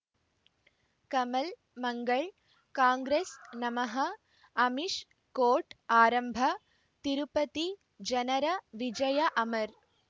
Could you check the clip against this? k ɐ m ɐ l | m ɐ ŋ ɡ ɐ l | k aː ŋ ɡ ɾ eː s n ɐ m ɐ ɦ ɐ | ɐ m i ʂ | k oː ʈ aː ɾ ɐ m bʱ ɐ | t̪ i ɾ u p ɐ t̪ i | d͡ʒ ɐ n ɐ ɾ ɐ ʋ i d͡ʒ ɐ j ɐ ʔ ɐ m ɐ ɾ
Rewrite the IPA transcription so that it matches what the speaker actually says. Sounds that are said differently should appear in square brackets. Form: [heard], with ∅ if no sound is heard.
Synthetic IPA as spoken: k ɐ m ɐ l | m ɐ ŋ ɡ ɐ [ɭ] | k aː ŋ ɡ ɾ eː s n ɐ m ɐ ɦ ɐ | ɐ m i ʂ | k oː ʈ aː ɾ ɐ m bʱ ɐ | t̪ i ɾ u p ɐ t̪ i | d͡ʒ ɐ n ɐ ɾ ɐ ʋ i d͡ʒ ɐ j ɐ ʔ ɐ m ɐ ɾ